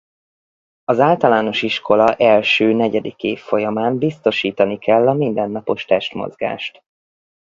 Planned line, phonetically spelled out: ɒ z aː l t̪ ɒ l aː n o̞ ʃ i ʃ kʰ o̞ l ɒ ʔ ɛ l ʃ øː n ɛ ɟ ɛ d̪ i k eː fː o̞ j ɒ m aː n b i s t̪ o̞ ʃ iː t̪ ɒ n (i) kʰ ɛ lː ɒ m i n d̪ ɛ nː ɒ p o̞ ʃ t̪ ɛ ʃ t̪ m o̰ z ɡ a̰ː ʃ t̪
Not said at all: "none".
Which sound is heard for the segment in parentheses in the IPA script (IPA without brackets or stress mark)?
i